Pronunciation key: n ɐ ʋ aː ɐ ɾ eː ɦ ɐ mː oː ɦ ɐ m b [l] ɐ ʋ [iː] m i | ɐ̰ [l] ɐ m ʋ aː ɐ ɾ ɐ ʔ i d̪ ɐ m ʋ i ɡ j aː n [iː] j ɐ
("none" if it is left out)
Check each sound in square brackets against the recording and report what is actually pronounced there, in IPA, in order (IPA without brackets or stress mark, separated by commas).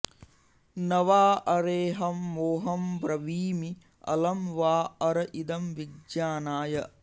ɾ, iː, l, aː